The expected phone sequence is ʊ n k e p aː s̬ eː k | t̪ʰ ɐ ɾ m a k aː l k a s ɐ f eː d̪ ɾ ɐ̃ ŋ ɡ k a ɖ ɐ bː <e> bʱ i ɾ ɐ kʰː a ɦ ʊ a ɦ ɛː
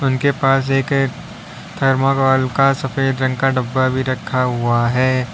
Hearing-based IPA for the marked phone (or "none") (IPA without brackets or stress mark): a